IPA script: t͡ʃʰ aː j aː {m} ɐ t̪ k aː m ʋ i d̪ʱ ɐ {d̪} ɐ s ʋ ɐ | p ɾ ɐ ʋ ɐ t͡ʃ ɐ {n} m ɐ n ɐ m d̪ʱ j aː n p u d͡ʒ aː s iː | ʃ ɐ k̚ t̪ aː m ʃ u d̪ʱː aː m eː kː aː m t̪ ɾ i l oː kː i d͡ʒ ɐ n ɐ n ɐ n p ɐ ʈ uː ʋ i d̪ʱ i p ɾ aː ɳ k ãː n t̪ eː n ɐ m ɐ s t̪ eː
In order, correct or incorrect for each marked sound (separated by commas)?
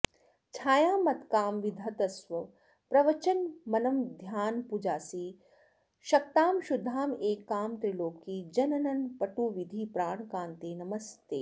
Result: correct, incorrect, correct